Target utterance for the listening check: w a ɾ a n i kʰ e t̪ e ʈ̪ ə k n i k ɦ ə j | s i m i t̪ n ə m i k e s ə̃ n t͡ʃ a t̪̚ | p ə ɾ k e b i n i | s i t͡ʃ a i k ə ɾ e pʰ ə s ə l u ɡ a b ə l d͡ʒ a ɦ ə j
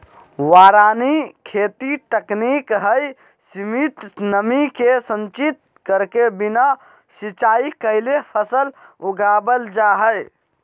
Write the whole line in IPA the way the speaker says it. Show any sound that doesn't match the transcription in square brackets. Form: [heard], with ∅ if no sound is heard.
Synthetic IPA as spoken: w a ɾ a n i kʰ e t̪ [i] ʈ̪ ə k n i k ɦ ə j | s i m i t̪ n ə m i k e s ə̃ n t͡ʃ [i] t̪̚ | [k] ə ɾ k e b i n [a] | s i t͡ʃ a i k ə [l] e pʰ ə s ə l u ɡ a b ə l d͡ʒ a ɦ ə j